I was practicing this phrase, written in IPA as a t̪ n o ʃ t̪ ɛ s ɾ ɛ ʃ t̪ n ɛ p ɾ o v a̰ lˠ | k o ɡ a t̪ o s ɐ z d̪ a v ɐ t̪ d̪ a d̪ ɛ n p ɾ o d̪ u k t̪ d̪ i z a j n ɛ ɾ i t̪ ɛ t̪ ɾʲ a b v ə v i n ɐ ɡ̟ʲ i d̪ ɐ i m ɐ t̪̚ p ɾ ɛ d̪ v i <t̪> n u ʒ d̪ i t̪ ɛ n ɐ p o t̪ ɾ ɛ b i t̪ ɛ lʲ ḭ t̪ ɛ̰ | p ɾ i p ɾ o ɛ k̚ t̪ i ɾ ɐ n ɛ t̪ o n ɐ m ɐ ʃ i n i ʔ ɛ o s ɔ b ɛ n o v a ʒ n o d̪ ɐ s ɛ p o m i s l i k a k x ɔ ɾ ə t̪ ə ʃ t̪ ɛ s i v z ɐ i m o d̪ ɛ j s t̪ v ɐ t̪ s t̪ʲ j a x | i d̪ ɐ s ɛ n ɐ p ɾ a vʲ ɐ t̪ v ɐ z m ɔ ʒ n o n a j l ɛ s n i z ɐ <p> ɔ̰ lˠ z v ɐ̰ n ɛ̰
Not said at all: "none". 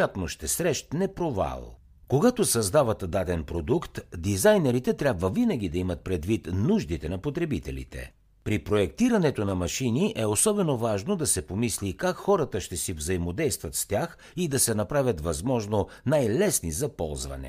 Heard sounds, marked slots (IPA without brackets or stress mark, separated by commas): t̪, p